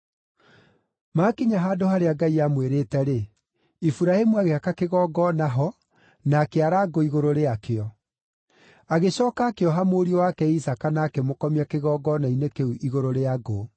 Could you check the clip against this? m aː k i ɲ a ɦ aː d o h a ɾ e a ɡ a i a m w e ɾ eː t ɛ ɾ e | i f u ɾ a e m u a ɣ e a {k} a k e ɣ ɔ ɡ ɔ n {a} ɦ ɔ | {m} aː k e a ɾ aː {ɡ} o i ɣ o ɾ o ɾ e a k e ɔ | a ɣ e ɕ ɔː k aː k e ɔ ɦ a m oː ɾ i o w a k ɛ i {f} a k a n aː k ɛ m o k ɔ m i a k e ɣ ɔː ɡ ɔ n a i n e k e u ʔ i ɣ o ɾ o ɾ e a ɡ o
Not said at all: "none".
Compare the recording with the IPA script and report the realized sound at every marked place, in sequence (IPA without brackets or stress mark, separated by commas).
k, a, n, ɡ, s